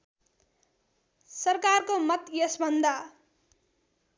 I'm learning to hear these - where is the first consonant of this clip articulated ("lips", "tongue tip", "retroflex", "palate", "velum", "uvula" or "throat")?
tongue tip